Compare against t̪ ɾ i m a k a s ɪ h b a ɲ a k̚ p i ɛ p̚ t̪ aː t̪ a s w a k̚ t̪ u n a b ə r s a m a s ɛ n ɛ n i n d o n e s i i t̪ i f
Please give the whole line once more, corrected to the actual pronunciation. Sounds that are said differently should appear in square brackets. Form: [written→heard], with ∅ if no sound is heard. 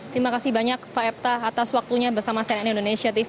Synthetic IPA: t̪ ɾ i m a k a s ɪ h b a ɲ a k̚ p [i→a] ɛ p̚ t̪ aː t̪ a s w a k̚ t̪ u [n→ɲ] a b ə r s a m a s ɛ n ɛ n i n d o n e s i [i→a] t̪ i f